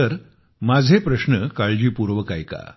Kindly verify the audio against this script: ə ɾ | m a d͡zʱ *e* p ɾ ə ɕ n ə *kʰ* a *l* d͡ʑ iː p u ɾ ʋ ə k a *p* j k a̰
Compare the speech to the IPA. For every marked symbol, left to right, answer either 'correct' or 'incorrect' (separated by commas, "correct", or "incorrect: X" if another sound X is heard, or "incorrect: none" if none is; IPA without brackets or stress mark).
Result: correct, incorrect: k, incorrect: ɭ, incorrect: none